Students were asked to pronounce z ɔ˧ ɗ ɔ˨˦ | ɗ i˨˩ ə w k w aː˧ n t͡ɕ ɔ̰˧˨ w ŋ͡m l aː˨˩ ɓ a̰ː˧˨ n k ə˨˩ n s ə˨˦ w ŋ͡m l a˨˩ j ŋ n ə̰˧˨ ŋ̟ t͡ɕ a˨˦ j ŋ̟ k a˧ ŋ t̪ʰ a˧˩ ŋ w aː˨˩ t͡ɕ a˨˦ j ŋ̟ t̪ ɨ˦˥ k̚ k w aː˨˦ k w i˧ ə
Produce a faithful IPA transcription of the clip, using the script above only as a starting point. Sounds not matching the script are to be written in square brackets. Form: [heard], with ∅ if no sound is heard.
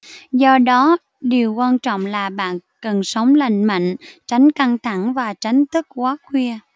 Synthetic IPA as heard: z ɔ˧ ɗ ɔ˨˦ | ɗ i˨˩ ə w k w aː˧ n t͡ɕ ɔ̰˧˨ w ŋ͡m l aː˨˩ ɓ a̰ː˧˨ n k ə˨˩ n s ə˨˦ w ŋ͡m l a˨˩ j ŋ [m] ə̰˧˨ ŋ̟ t͡ɕ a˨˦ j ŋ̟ k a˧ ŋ t̪ʰ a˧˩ ŋ [v] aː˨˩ t͡ɕ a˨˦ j ŋ̟ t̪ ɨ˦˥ k̚ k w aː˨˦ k w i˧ ə